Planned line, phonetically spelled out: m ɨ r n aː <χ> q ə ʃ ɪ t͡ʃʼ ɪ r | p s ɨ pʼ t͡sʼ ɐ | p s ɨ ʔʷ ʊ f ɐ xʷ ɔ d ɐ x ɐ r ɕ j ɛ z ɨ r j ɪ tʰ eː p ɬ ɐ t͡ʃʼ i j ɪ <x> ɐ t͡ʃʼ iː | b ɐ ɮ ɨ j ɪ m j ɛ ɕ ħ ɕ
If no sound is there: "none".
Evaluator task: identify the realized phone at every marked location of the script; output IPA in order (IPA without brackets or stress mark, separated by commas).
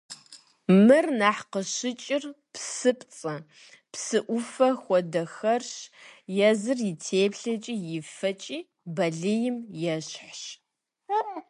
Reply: ħ, f